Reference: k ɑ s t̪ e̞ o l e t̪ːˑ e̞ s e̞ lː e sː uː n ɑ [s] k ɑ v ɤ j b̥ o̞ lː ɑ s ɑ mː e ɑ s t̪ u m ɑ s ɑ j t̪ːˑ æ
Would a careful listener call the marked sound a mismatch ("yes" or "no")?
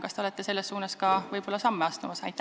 no